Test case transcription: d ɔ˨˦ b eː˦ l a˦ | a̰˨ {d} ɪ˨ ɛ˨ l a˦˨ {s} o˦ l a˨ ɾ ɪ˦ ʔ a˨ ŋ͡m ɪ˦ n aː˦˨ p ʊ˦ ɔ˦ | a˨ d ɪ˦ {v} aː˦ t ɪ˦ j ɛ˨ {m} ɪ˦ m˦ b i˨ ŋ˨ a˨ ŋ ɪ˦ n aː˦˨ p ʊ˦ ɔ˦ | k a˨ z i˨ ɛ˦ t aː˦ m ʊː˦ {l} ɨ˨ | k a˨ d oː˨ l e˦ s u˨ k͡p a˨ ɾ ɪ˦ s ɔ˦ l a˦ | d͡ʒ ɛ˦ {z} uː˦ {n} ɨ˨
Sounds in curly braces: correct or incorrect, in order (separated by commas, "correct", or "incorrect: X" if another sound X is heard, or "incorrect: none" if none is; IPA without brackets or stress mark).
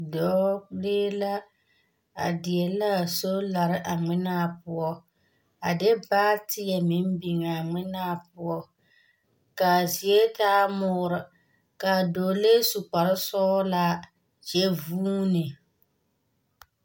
correct, correct, incorrect: b, correct, incorrect: ɾ, incorrect: v, correct